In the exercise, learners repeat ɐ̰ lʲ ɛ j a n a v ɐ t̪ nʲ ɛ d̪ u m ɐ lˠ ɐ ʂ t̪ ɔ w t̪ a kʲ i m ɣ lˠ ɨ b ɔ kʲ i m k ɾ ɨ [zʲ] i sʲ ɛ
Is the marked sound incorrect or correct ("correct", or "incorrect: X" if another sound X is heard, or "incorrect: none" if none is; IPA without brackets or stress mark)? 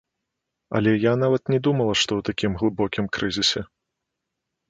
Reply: correct